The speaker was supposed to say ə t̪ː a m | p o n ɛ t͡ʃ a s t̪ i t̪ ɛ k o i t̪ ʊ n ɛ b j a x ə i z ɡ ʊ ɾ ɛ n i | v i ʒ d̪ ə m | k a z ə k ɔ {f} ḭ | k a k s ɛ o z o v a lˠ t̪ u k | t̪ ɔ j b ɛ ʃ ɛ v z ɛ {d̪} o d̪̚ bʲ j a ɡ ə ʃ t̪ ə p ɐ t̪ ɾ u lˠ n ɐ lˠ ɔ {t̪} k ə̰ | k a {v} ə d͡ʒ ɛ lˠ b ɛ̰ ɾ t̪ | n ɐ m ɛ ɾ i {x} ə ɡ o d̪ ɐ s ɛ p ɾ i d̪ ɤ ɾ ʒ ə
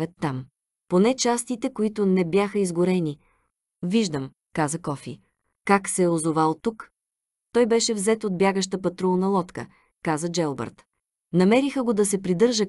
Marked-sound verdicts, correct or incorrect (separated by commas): correct, incorrect, correct, incorrect, correct